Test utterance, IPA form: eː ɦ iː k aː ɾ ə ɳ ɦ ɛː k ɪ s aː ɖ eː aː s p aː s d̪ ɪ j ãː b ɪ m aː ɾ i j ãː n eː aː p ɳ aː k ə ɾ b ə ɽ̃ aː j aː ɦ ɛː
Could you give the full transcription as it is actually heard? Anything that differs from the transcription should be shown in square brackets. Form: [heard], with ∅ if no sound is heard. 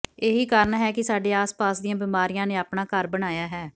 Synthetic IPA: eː ɦ iː k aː ɾ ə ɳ ɦ ɛː k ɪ s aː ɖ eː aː s p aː s d̪ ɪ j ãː b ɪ m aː ɾ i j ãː n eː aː p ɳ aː k ə ɾ b ə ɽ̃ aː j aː ɦ ɛː